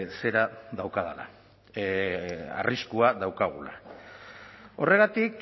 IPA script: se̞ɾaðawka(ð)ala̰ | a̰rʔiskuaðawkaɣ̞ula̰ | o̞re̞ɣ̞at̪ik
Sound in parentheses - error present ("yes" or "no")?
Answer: no